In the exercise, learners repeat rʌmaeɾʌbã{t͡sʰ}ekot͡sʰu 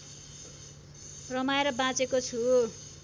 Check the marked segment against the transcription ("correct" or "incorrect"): incorrect